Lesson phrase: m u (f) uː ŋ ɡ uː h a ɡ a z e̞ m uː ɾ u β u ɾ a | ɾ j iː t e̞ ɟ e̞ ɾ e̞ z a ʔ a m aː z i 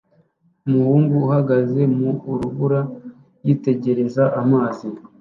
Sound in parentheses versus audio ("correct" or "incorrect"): incorrect